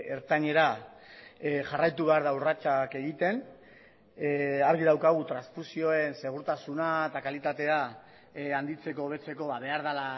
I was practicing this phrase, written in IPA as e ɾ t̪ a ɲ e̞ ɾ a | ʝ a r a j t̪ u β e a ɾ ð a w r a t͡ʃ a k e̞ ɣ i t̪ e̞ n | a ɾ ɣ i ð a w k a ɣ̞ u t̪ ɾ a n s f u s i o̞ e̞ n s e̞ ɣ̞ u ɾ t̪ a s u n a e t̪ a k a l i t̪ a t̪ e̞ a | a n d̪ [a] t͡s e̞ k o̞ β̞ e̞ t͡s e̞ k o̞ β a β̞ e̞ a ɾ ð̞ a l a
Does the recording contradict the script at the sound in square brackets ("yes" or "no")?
yes